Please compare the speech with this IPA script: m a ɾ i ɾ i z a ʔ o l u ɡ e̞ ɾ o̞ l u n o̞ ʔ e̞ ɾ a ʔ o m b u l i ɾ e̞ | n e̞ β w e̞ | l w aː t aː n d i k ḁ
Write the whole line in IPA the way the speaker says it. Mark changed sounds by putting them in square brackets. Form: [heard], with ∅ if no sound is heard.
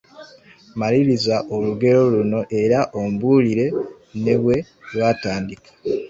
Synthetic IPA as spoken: m a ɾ i ɾ i z a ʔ o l u ɡ e̞ ɾ o̞ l u n o̞ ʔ e̞ ɾ a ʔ o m b u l i ɾ e̞ | n e̞ β w e̞ | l w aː t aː n d i k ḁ